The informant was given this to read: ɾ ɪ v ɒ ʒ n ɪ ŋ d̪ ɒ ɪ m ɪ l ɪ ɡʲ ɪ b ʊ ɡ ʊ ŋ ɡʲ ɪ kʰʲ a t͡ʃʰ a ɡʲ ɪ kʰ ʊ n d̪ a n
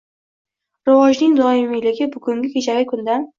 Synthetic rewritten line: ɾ ɪ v ɒ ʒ n ɪ ŋ d̪ ɒ ɪ m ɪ l ɪ ɡʲ ɪ b ʊ ɡ ʊ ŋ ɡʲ ɪ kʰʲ e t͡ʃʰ a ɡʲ ɪ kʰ ʊ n d̪ a n